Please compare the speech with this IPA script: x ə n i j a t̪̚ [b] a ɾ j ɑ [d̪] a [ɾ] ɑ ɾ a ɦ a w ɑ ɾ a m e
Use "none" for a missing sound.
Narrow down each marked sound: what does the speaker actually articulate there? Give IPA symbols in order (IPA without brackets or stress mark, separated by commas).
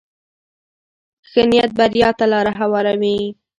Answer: b, t̪, l